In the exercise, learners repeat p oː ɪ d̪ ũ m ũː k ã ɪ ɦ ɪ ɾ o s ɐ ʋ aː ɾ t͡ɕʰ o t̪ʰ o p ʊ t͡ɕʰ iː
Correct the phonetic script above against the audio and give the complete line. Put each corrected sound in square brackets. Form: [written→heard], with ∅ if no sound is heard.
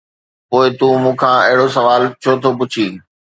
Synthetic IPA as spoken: p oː ɪ [d̪→t̪] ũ m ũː [k→kʰ] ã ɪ ɦ ɪ [ɾ→ɽ] o s ɐ ʋ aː [ɾ→l] t͡ɕʰ o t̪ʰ o p ʊ t͡ɕʰ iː